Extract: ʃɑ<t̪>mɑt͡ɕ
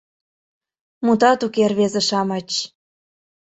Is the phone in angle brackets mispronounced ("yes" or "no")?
yes